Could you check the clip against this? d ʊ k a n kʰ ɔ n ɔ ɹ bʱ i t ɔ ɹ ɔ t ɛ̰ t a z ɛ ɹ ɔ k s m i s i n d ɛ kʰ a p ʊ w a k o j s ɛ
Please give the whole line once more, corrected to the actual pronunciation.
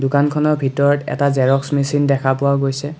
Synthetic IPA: d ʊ k a n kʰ ɔ n ɔ ɹ bʱ i t ɔ ɹ ɔ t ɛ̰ t a z ɛ ɹ ɔ k s m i s i n d ɛ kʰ a p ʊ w a ɡ o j s ɛ